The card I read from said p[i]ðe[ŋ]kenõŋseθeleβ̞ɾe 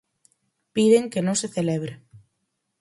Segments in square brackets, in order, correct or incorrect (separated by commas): correct, correct